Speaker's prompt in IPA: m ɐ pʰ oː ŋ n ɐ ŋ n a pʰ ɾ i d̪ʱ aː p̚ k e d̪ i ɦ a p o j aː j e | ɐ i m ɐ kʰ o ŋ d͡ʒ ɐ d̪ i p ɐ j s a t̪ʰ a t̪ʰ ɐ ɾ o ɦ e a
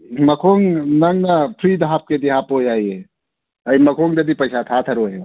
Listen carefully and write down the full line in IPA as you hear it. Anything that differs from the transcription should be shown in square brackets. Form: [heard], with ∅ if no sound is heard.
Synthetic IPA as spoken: m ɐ [kʰ] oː ŋ n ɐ ŋ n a pʰ ɾ i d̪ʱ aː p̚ k e d̪ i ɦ a p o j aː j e | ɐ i m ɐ kʰ o ŋ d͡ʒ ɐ d̪ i p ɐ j s a t̪ʰ a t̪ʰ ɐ ɾ o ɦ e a